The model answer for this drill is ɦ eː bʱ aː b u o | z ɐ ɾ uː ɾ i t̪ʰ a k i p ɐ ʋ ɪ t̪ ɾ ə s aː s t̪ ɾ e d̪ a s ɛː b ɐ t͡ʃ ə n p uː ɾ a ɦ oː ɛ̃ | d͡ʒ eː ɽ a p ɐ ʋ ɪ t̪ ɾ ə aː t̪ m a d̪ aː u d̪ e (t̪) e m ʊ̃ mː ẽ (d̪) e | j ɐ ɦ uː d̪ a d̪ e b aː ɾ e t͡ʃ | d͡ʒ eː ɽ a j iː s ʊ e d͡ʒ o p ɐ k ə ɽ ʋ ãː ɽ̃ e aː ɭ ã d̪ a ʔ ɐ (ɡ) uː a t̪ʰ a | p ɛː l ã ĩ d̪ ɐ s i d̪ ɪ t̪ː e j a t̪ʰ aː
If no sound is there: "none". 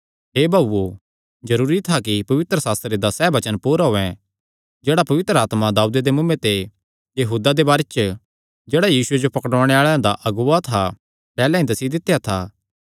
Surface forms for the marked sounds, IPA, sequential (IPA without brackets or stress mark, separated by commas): d̪, t̪, ɡ